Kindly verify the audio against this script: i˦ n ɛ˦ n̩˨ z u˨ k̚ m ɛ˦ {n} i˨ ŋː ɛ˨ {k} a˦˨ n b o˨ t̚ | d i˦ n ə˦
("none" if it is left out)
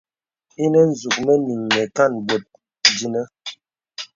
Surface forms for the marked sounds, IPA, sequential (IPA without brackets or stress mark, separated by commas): n, k